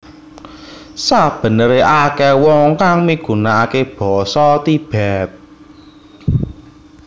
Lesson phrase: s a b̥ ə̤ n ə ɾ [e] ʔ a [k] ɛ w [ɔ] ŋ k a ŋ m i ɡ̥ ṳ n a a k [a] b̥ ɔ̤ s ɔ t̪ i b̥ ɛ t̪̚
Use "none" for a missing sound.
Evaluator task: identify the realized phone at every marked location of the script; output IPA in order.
e, k, ɔ, e

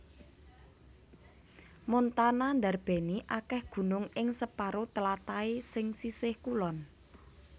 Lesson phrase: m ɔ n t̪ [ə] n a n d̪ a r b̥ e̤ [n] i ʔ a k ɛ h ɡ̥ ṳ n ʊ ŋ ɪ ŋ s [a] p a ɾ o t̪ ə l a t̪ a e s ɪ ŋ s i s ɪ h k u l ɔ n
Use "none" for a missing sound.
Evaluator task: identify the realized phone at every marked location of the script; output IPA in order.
a, n, ə

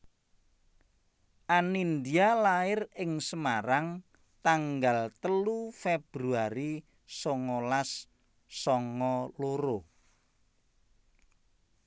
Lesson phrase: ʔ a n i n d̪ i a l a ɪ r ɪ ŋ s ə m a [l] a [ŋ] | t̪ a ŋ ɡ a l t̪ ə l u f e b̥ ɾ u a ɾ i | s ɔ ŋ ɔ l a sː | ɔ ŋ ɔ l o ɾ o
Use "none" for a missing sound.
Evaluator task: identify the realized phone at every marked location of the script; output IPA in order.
ɾ, ŋ

